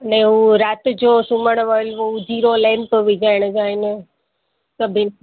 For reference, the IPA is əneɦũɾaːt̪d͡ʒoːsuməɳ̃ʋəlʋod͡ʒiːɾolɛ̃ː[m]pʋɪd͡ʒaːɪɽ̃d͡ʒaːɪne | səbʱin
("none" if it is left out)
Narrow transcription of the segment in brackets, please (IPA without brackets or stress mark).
m